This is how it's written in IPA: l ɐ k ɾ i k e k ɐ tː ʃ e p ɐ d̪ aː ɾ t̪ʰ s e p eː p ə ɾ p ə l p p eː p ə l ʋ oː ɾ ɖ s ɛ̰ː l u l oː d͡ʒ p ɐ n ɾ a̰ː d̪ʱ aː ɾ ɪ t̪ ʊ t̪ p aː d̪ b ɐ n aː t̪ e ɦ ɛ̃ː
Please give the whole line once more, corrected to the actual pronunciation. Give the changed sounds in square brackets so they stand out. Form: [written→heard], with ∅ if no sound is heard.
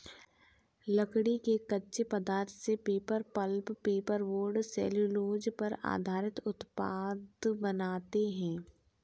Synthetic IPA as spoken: l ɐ k [ɾ→ɽ] i k e k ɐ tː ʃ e p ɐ d̪ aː ɾ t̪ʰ s e p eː p ə ɾ p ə l p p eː p ə [l→ɾ] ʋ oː ɾ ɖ s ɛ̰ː l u l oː d͡ʒ p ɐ [n→∅] ɾ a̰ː d̪ʱ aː ɾ ɪ t̪ ʊ t̪ p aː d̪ b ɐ n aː t̪ e ɦ ɛ̃ː